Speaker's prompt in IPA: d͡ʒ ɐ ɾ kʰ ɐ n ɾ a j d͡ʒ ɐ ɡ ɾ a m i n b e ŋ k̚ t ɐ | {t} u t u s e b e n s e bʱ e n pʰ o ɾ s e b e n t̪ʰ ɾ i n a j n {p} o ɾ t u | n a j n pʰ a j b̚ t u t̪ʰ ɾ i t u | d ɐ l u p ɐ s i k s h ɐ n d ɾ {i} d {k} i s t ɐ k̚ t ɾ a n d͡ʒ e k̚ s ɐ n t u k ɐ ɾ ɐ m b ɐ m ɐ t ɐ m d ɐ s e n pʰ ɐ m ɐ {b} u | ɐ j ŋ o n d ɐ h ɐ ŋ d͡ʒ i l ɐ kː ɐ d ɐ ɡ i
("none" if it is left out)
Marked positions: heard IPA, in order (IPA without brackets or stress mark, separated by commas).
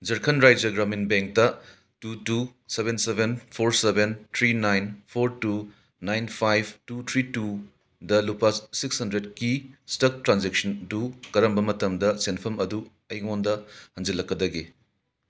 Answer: t, pʰ, e, k, d